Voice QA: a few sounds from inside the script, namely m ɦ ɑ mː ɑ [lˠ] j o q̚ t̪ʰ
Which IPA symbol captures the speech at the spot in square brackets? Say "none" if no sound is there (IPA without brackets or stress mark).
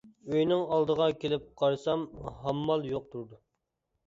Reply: lˠ